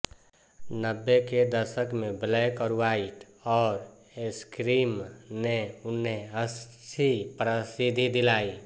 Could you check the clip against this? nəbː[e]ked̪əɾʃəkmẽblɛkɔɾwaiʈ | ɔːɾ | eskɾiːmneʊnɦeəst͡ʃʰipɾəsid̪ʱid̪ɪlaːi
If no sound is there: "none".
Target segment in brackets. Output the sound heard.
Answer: e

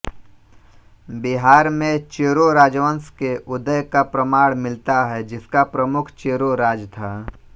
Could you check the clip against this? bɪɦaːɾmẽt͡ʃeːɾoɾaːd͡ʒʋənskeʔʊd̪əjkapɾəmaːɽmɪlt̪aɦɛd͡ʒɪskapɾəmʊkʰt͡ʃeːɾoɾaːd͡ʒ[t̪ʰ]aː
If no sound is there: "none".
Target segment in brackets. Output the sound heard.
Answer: t̪ʰ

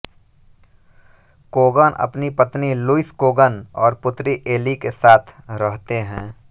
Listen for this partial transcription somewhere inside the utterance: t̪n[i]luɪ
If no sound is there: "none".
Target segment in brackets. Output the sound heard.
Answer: i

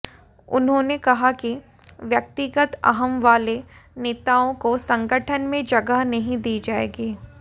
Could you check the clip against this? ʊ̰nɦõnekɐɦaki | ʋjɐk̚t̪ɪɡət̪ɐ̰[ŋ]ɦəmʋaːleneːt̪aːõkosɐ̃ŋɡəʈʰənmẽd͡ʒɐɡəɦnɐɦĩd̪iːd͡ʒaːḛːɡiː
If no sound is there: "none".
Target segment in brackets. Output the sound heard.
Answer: none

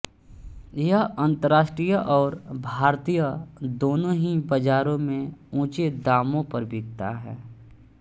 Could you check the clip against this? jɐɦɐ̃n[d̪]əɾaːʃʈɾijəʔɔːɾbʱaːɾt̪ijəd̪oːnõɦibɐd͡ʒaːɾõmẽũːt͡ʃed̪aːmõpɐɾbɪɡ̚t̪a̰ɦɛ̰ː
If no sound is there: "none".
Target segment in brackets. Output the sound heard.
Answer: t̪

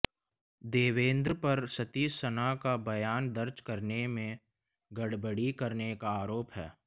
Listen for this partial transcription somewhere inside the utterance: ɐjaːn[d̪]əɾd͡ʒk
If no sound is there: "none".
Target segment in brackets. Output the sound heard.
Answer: d̪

